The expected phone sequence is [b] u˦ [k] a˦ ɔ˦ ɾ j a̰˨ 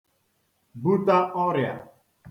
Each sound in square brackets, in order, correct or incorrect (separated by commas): correct, incorrect